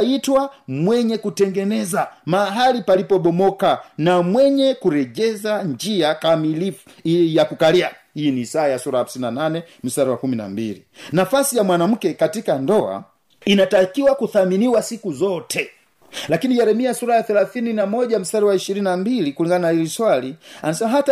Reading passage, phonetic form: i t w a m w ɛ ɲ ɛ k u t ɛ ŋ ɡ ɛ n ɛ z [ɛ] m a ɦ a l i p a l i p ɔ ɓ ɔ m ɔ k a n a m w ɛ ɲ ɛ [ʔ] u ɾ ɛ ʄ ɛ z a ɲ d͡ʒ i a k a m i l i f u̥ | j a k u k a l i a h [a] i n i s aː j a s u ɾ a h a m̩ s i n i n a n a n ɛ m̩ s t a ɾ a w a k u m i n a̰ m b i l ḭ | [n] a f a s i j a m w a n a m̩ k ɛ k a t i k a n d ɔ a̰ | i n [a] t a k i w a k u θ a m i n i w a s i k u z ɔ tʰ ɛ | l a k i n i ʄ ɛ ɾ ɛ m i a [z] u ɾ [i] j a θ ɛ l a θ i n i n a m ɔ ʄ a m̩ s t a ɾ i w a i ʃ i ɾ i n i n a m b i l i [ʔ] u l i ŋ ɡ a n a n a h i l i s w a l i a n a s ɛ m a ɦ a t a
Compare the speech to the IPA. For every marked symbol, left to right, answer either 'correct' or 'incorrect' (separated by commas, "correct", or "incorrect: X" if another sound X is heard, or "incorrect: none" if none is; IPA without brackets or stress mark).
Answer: incorrect: a, incorrect: k, incorrect: i, correct, correct, incorrect: s, incorrect: a, incorrect: k